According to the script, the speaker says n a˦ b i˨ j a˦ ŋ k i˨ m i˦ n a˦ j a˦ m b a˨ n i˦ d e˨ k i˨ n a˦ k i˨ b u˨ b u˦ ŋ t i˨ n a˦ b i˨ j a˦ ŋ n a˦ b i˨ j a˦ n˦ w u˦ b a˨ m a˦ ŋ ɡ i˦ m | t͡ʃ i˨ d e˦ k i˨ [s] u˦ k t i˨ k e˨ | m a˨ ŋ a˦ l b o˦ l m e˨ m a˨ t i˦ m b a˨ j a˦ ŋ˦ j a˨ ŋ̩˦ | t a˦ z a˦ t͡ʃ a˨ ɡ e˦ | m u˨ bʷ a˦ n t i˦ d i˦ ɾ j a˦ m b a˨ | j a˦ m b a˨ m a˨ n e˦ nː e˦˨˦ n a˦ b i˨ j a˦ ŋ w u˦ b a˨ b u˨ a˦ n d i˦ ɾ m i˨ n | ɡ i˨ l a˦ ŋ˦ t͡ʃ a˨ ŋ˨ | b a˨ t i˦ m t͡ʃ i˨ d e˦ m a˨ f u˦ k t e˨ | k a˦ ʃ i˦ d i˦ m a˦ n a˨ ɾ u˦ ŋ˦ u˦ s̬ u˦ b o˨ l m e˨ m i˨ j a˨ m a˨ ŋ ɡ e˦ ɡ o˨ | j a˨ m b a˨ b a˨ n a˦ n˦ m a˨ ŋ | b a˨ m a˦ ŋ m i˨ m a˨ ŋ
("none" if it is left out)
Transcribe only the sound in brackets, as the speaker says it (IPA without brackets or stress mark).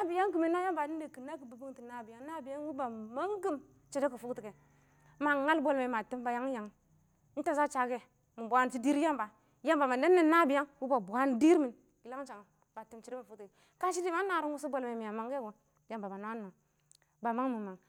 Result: f